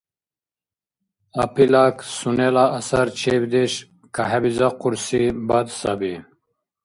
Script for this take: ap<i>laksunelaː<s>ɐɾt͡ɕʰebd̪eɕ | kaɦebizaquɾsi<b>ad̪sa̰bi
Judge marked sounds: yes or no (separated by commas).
yes, yes, yes